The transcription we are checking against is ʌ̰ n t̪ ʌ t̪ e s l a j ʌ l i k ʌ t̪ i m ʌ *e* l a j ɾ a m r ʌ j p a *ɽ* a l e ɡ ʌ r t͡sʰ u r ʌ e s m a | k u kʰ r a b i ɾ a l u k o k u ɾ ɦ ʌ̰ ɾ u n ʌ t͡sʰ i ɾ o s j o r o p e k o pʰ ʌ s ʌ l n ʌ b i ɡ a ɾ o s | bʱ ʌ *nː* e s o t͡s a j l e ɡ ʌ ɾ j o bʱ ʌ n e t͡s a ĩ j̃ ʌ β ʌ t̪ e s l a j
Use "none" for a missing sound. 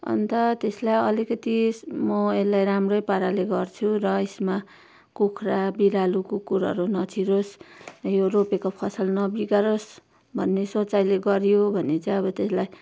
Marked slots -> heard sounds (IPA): e, ɾ, nː

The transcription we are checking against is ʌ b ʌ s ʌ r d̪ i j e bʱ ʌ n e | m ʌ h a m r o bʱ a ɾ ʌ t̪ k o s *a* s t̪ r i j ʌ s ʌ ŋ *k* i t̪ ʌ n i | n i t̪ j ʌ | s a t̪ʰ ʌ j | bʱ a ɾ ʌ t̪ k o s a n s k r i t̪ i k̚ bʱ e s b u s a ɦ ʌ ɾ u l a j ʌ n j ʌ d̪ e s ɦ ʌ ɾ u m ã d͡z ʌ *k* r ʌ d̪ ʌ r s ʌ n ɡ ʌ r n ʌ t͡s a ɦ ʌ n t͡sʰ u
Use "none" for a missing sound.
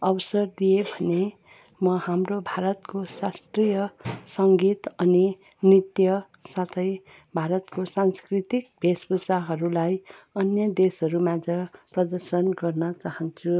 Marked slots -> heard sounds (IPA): a, ɡ, p

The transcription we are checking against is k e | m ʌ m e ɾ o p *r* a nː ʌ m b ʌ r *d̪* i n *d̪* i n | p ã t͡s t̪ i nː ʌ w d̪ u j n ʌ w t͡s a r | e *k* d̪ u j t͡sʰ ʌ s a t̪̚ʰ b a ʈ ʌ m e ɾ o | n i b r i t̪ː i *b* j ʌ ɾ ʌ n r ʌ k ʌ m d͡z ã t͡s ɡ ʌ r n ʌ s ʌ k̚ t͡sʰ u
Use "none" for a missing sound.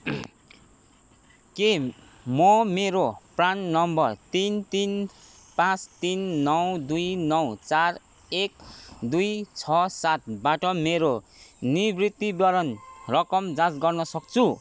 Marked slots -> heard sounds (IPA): r, t̪, t̪, k, b

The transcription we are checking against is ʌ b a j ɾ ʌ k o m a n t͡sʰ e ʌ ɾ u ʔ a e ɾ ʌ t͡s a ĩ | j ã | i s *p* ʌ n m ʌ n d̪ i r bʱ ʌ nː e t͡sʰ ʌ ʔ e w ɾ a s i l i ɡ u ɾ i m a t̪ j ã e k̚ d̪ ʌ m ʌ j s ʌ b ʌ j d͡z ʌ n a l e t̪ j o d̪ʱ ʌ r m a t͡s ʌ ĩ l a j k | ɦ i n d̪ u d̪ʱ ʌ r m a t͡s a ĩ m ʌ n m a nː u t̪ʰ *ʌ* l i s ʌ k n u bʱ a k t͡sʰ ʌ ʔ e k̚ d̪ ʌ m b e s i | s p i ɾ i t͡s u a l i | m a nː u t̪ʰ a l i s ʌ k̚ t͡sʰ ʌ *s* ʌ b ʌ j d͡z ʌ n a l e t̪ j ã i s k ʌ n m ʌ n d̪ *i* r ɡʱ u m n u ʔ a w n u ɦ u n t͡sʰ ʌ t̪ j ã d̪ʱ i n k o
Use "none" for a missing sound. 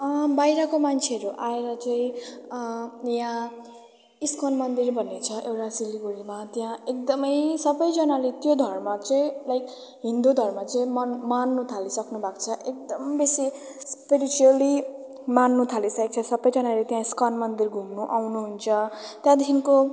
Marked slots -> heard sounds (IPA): k, a, s, i

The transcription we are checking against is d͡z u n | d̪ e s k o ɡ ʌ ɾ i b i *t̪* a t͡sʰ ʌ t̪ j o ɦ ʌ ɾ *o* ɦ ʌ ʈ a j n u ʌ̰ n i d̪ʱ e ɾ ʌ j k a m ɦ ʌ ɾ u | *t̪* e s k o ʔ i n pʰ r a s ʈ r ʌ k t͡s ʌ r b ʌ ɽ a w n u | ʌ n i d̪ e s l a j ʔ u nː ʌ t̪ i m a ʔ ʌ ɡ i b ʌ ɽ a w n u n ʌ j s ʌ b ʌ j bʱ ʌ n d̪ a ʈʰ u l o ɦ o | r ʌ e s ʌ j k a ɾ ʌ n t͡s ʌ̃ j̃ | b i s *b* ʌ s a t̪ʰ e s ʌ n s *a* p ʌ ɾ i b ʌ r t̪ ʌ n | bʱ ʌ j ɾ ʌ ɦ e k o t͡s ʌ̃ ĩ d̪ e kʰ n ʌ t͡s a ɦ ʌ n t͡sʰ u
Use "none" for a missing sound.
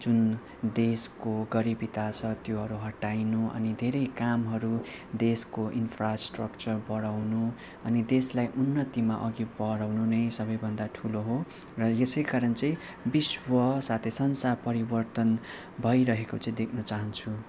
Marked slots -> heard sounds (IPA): t̪, u, d̪, w, a

